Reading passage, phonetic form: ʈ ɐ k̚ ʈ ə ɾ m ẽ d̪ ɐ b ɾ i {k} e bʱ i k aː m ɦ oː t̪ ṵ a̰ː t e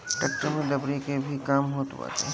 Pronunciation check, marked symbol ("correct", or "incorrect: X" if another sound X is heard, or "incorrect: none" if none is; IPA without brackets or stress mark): correct